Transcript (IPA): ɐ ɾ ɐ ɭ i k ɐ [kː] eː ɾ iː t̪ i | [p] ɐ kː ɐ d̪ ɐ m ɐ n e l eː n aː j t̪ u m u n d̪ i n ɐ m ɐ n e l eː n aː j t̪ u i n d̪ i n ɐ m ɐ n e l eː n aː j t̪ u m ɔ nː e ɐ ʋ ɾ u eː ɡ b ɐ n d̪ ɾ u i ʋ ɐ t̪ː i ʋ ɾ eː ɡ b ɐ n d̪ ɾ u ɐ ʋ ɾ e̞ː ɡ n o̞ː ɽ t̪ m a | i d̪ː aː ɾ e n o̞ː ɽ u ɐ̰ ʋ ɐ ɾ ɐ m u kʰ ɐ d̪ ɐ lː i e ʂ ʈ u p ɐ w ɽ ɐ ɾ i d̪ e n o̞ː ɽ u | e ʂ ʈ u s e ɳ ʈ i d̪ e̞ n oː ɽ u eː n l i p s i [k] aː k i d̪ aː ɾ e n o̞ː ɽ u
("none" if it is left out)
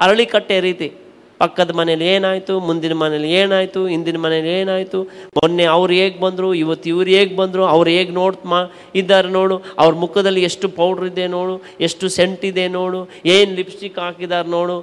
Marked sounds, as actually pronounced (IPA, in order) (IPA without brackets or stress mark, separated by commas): ʈː, p, k